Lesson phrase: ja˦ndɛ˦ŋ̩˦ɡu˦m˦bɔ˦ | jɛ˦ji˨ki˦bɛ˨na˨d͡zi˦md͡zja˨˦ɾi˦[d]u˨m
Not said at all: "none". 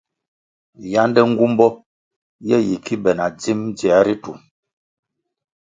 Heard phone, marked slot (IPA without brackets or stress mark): t